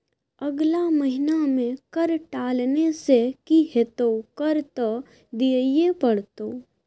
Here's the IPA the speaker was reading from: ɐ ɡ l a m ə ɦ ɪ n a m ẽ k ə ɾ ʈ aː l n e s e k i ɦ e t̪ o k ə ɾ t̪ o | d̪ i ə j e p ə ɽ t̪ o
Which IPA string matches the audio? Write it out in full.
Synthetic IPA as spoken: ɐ ɡ l a m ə ɦ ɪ n a m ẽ k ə ɾ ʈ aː l n e s e k i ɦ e t̪ o k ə ɾ t̪ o | d̪ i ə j e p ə ɽ t̪ o

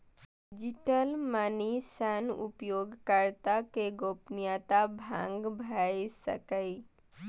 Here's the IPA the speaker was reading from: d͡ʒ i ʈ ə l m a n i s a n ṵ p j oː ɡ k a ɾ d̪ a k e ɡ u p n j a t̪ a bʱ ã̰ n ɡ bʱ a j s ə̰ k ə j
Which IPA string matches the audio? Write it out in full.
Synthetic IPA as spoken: d͡ʒ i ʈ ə l m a n i s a n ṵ p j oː ɡ k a ɾ t̪ a k e ɡ o p n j a t̪ a bʱ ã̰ ŋ ɡ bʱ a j s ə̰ k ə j

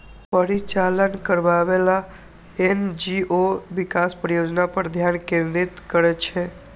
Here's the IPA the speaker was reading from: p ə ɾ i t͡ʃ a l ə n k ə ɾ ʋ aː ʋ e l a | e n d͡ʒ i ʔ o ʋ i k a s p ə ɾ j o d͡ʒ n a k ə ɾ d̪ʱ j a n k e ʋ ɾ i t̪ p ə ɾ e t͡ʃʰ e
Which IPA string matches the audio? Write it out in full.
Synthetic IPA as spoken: p ə ɾ i t͡ʃ a l ə n k ə ɾ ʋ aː ʋ e l a | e n d͡ʒ i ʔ o ʋ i k a s p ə ɾ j o d͡ʒ n a p ə ɾ d̪ʱ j a n k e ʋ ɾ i t̪ k ə ɾ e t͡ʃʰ e

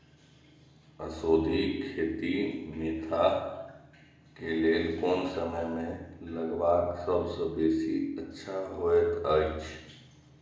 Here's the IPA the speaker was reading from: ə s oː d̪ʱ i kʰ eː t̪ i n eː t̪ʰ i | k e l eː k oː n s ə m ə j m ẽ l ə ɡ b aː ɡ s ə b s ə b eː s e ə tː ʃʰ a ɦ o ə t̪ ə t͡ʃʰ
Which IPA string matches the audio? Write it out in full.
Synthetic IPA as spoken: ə s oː d̪ʱ i kʰ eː t̪ i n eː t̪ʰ a | k e l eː k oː n s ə m ə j m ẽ l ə ɡ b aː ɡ s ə b s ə b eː s i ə tː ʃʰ a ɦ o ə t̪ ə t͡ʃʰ

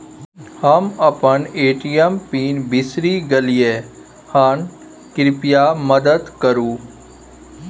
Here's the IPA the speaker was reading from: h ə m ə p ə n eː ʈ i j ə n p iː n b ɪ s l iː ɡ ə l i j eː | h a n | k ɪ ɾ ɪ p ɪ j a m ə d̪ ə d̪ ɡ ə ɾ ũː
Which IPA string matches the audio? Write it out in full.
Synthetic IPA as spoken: h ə m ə p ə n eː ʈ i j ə m p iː n b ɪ s ɾ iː ɡ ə l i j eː | h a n | k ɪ ɾ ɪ p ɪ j a m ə d̪ ə d̪ k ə ɾ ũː

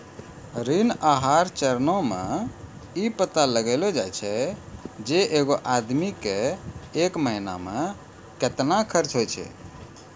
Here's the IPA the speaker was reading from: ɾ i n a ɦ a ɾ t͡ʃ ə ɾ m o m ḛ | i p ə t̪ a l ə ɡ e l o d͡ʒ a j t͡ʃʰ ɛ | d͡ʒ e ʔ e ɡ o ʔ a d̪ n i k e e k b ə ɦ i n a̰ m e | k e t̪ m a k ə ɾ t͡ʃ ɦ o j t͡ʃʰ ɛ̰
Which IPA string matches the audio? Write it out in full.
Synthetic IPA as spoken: ɾ i n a ɦ a ɾ t͡ʃ ə ɾ n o m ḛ | i p ə t̪ a l ə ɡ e l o d͡ʒ a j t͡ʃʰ ɛ | d͡ʒ e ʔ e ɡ o ʔ a d̪ m i k e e k m ə ɦ i n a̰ m e | k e t̪ n a kʰ ə ɾ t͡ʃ ɦ o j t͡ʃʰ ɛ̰

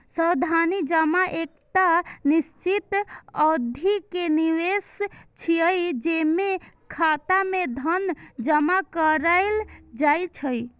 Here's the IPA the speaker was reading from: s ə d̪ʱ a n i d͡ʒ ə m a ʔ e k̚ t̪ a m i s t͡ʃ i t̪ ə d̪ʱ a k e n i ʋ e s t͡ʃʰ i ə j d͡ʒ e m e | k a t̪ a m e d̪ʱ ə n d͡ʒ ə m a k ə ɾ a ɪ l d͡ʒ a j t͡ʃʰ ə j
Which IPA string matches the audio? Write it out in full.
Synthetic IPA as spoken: s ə d̪ʱ a n i d͡ʒ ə m a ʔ e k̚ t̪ a n i s t͡ʃ i t̪ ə d̪ʱ i k e n i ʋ e s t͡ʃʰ i ə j d͡ʒ e m e | kʰ a t̪ a m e d̪ʱ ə n d͡ʒ ə m a k ə ɾ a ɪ l d͡ʒ a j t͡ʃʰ ə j

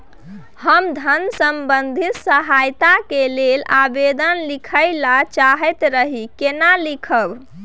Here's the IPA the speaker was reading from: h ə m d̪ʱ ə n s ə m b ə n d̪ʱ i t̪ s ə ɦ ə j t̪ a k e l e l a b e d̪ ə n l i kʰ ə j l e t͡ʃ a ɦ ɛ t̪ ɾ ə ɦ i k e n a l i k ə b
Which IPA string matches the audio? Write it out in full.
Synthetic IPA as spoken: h ə m d̪ʱ ə n s ə m b ə n d̪ʱ i t̪ s ə ɦ a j t̪ a k e l e l a b e d̪ ə n l i kʰ ə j l a t͡ʃ a ɦ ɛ t̪ ɾ ə ɦ i k e n a l i kʰ ə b

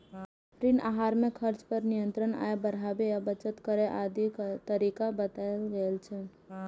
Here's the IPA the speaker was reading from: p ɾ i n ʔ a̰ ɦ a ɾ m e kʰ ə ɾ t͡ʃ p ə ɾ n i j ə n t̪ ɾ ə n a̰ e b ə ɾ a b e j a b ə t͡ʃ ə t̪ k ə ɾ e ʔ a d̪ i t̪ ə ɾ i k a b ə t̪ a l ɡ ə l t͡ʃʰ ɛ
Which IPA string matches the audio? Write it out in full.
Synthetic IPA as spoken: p ɾ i n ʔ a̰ ɦ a ɾ m e kʰ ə ɾ t͡ʃ p ə ɾ n i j ə n t̪ ɾ ə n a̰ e b ə ɾ a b e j a b ə t͡ʃ ə t̪ k ə ɾ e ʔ a d̪ i t̪ ə ɾ i k a b ə t̪ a l ɡ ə l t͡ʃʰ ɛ

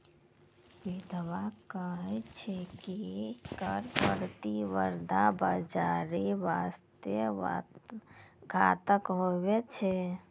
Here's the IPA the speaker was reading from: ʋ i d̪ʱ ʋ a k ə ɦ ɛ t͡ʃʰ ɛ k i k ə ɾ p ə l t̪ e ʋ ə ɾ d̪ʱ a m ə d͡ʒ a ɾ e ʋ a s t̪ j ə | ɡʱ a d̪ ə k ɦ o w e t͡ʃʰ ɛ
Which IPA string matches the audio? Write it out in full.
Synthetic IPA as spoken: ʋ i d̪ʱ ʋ a k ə ɦ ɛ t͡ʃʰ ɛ k i k ə ɾ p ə ɾ t̪ i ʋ ə ɾ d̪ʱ a b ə d͡ʒ a ɾ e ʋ a s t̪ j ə | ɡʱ a t̪ ə k ɦ o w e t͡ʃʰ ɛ

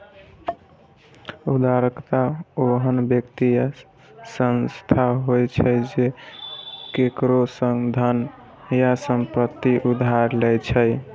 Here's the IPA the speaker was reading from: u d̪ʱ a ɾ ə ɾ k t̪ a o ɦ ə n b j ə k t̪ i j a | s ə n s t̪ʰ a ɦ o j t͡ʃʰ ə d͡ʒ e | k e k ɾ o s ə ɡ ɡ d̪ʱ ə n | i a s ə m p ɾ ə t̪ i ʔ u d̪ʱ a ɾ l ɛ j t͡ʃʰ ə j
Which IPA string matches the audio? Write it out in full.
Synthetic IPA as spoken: u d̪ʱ a ɾ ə k t̪ a o ɦ ə n b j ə k t̪ i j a | s ə n s t̪ʰ a ɦ o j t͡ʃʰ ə d͡ʒ e | k e k ɾ o s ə ŋ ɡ d̪ʱ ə n | j a s ə m p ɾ ə t̪ i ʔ u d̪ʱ a ɾ l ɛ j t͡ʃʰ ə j

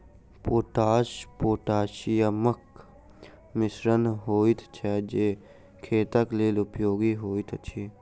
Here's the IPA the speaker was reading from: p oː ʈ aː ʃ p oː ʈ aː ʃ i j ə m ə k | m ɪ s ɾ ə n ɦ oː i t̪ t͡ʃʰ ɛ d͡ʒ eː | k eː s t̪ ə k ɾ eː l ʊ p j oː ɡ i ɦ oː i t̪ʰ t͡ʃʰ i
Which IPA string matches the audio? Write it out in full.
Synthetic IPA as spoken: p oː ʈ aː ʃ p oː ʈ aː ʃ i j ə m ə k | m ɪ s ɾ ə n ɦ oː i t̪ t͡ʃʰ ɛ d͡ʒ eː | kʰ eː t̪ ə k l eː l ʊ p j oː ɡ i ɦ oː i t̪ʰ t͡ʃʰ i

